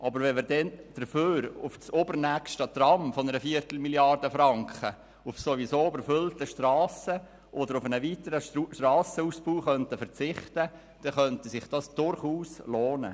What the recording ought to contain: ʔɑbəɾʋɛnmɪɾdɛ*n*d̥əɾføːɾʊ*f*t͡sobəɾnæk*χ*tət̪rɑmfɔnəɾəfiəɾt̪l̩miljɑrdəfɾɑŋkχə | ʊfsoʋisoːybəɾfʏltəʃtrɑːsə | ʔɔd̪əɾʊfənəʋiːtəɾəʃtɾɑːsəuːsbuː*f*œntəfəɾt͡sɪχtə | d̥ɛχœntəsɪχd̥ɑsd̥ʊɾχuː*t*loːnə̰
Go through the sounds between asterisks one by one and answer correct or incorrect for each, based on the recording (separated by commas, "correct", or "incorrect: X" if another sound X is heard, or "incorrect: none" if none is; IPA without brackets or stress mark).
correct, correct, incorrect: ʃ, incorrect: χ, incorrect: s